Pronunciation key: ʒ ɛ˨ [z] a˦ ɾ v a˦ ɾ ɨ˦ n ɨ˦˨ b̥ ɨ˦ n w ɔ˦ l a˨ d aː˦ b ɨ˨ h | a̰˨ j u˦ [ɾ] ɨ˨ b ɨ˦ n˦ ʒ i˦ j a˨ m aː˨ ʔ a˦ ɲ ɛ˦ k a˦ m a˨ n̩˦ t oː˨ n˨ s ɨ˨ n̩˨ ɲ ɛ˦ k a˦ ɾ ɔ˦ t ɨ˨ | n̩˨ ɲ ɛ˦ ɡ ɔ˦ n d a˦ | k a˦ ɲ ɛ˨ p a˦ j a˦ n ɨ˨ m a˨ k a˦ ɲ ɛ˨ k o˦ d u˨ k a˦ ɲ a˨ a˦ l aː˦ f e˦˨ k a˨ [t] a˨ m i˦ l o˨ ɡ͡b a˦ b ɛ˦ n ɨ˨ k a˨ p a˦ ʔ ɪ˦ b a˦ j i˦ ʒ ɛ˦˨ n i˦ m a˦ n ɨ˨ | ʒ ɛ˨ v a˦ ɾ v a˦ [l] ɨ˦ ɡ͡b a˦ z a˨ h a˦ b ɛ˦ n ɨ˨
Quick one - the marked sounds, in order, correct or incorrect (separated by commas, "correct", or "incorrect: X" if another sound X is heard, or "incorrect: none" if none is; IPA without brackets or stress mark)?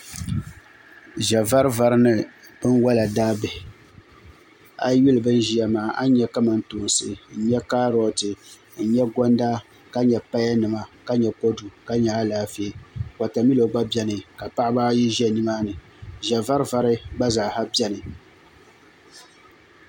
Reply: incorrect: v, incorrect: l, correct, incorrect: ɾ